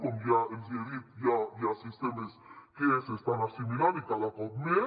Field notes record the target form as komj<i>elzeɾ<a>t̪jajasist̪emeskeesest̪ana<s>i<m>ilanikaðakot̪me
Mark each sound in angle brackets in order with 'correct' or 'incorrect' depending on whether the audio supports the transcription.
incorrect: a, incorrect: i, correct, correct

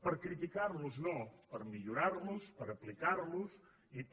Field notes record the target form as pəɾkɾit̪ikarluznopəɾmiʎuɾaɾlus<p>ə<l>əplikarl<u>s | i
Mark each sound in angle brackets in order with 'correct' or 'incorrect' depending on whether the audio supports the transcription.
correct, incorrect: ɾ, correct

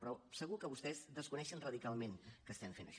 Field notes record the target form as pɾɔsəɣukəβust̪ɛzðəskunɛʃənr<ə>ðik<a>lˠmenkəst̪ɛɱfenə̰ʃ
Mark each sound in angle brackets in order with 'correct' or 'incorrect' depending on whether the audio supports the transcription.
correct, correct

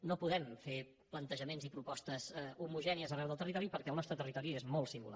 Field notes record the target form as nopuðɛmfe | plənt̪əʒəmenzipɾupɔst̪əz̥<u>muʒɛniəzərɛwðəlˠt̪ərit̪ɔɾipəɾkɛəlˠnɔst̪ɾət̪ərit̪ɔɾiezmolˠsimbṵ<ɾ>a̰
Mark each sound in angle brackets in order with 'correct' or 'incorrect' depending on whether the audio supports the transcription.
correct, incorrect: l

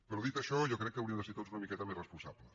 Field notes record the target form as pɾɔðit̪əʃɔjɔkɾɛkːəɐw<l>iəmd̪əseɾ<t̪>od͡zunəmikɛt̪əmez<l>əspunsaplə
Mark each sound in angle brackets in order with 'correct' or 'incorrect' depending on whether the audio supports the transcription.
incorrect: ɾ, correct, incorrect: r

